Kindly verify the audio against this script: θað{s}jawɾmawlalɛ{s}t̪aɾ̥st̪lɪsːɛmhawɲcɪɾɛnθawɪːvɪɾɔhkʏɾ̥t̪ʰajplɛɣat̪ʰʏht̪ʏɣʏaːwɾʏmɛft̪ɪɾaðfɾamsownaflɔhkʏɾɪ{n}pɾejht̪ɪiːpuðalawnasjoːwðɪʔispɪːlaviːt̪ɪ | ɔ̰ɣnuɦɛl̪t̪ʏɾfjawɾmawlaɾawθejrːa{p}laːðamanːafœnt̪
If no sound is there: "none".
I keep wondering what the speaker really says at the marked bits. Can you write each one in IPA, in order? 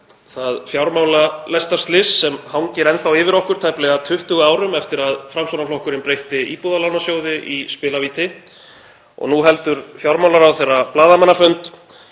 f, s, n, p

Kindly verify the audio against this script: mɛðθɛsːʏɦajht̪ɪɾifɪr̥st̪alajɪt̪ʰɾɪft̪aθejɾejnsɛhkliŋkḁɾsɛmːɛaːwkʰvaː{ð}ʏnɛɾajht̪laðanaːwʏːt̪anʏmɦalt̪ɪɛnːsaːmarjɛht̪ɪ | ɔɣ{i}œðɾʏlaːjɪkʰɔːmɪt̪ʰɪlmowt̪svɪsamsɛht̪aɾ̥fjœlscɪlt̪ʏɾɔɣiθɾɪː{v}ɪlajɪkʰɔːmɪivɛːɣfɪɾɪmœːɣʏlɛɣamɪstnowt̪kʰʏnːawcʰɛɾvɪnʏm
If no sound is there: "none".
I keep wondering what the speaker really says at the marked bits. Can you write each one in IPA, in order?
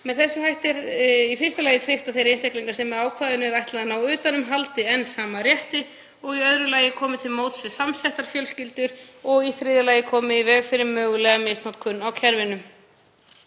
ð, i, ð

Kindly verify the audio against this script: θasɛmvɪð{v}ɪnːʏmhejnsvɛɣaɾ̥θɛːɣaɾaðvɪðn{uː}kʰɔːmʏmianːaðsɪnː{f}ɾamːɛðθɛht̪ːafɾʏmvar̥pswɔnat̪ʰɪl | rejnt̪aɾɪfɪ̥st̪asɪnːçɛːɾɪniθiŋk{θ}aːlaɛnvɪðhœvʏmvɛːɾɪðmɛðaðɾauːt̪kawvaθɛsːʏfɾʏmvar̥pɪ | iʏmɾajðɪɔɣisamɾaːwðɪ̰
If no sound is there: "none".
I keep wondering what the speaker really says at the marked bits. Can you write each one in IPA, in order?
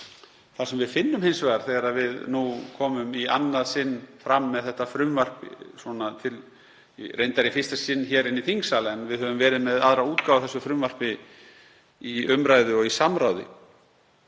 f, u, f, s

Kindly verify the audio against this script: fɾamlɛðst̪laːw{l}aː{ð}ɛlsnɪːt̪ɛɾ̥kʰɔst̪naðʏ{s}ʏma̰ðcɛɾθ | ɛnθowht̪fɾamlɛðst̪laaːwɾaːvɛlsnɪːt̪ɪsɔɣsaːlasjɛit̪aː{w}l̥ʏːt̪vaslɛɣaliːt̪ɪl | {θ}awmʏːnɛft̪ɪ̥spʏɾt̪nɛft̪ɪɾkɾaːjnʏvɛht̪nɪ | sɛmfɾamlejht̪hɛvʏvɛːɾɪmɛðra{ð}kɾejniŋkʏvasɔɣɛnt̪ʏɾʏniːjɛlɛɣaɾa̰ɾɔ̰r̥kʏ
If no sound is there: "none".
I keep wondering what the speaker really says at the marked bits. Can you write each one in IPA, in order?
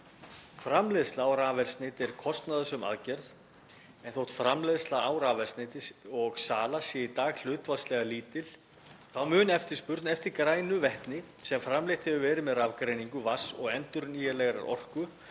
ɾ, v, s, ɣ, θ, v

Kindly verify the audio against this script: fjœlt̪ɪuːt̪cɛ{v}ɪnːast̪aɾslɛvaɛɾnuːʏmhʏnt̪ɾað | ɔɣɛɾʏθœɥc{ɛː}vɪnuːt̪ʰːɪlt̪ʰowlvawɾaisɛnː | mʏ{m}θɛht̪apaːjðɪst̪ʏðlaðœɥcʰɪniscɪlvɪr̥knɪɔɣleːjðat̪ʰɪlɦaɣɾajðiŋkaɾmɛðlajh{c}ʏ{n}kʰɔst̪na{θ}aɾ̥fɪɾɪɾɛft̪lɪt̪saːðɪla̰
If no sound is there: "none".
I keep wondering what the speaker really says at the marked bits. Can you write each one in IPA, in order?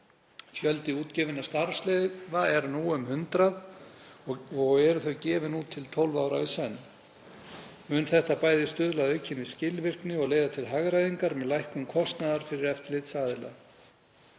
v, ɛː, n, k, m, ð

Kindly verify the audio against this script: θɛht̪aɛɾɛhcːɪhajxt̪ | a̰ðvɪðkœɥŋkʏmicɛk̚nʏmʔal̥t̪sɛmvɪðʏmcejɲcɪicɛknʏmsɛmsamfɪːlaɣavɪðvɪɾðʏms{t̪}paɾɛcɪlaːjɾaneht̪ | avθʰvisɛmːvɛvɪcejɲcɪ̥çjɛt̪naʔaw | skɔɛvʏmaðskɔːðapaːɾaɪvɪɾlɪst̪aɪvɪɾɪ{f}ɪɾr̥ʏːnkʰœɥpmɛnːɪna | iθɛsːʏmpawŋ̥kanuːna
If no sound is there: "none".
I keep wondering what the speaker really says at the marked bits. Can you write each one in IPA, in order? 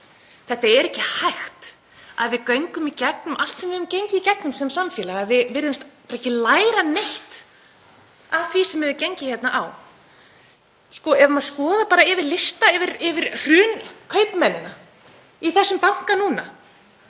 t̪, v

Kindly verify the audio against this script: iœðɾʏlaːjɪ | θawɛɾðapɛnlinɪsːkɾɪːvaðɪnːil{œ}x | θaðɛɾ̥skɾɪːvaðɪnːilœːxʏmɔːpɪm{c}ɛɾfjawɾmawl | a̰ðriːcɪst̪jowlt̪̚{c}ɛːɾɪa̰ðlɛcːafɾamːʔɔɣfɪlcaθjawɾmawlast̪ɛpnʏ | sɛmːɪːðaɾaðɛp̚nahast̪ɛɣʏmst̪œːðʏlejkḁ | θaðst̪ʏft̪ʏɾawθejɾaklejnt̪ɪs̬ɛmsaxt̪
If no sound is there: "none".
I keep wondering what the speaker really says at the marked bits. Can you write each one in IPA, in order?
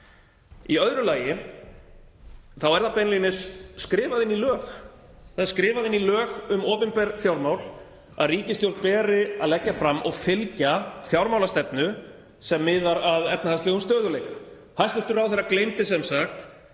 œː, p, p

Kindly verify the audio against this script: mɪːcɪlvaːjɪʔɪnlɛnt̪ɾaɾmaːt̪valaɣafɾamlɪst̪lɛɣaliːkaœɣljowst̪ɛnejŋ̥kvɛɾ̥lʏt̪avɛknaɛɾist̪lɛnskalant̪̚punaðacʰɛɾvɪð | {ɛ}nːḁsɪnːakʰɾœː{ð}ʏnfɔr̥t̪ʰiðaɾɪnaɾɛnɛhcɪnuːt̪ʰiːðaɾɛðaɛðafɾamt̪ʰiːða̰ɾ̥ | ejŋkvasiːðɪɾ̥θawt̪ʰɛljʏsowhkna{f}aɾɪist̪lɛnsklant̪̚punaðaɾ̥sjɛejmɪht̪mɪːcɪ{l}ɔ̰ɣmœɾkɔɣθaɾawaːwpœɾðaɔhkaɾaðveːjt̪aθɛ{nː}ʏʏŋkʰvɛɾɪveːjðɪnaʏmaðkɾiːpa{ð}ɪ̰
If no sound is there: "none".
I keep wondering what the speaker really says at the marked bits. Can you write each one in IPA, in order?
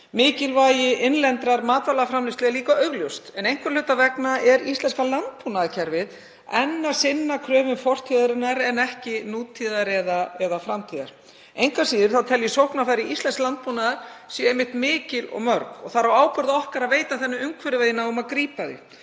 ɛ, v, f, l, nː, ð

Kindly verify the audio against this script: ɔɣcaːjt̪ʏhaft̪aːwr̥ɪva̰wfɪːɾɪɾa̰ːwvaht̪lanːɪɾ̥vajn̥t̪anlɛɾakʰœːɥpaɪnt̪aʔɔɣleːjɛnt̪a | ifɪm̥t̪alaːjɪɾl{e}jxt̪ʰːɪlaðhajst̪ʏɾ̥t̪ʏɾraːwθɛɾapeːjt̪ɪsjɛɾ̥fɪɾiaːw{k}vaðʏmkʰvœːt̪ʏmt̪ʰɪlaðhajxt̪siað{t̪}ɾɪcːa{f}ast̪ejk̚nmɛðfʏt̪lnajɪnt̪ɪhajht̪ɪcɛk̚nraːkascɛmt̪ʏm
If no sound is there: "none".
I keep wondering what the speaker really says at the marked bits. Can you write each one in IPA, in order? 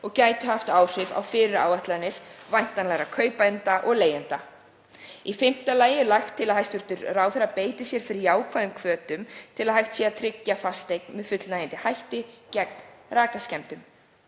a, kʰ, t̪ʰ, f

